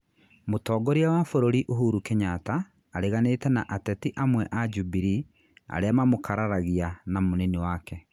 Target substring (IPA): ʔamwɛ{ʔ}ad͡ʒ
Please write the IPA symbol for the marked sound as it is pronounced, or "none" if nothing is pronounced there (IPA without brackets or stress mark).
ʔ